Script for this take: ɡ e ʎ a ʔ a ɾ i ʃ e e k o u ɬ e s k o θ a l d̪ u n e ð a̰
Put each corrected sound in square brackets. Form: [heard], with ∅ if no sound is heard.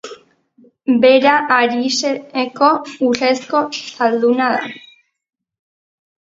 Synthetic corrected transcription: [b] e [ɾ] a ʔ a ɾ i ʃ e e k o u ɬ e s k o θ a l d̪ u n [a] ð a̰